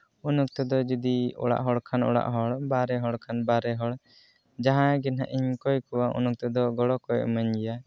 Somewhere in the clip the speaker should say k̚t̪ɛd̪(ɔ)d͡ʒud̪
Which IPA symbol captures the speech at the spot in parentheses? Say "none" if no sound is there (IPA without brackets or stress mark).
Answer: ɔ